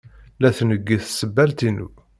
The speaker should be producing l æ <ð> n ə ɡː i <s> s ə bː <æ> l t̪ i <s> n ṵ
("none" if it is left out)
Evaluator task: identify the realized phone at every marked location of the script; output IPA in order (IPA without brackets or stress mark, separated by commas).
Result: θ, θ, æ, none